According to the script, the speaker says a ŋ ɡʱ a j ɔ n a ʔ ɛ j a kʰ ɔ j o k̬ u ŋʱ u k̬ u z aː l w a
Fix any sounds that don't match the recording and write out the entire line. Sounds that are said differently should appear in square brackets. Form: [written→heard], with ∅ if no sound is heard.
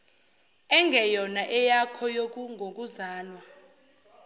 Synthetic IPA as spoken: [a→ɛ] ŋ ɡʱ [a→ɛ] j ɔ n a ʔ ɛ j a kʰ ɔ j o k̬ u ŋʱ [u→o] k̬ u z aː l w a